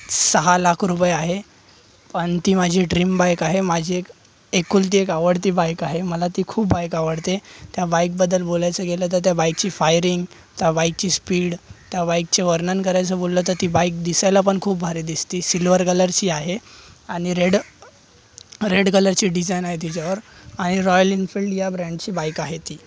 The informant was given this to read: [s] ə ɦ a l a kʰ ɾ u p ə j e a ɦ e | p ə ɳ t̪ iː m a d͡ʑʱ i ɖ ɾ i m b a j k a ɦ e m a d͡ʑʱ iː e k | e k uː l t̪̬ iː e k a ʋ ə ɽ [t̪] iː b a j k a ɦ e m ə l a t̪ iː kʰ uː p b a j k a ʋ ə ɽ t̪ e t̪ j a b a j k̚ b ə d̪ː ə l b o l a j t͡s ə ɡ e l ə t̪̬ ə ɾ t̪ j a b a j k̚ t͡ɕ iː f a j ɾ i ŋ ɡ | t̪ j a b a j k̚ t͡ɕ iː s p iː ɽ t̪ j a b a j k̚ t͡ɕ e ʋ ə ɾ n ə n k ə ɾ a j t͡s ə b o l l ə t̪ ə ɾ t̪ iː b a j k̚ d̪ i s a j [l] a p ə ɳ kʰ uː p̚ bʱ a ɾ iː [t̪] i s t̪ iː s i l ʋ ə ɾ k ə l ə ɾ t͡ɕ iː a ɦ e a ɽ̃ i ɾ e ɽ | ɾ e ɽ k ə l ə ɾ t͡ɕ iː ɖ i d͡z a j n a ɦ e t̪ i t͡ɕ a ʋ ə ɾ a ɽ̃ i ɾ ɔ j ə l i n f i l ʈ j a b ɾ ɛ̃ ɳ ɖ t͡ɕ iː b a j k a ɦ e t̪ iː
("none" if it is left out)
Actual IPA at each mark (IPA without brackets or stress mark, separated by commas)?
s, t̪, l, d̪